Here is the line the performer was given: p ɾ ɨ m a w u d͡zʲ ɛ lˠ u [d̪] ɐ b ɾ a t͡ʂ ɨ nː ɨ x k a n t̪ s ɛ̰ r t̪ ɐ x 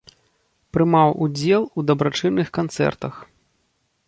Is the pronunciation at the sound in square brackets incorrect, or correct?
correct